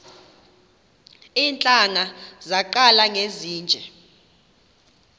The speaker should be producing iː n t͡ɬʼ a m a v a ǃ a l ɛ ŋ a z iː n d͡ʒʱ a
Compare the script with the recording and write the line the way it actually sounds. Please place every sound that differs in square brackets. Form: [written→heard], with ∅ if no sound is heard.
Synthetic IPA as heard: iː n t͡ɬʼ a [m→ŋ] a [v→z] a ǃ a l [ɛ→a] ŋ [a→e] z iː n d͡ʒʱ [a→ɛ]